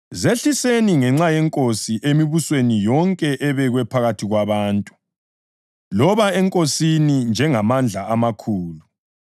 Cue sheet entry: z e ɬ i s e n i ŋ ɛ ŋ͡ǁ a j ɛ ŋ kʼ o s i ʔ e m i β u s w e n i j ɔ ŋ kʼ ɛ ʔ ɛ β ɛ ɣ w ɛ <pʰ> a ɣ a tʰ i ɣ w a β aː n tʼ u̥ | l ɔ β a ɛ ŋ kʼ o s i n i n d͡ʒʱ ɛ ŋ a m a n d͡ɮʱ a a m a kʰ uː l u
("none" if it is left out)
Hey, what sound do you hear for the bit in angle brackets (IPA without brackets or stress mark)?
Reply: pʰ